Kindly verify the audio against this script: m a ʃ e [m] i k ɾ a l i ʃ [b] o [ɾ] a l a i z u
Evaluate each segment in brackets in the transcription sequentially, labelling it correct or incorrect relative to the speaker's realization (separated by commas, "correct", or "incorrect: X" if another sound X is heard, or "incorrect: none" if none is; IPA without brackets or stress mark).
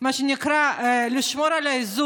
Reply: incorrect: n, incorrect: m, correct